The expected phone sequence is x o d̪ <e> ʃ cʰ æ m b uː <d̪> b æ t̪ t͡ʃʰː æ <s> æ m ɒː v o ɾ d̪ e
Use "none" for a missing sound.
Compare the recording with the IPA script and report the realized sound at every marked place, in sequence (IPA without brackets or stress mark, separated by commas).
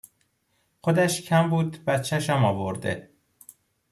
æ, d̪, ʃ